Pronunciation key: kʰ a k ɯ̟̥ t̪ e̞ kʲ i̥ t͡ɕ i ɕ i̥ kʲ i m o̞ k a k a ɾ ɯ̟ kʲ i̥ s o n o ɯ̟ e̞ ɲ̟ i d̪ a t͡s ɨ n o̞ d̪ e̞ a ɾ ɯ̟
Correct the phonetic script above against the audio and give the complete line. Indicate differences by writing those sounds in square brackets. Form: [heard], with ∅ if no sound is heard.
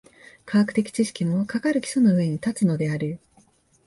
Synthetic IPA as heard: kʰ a k ɯ̟̥ t̪ e̞ kʲ i̥ t͡ɕ i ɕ i̥ kʲ i m o̞ k a k a ɾ ɯ̟ kʲ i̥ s o n o ɯ̟ e̞ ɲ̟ i [t̪] a t͡s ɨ n o̞ d̪ e̞ a ɾ ɯ̟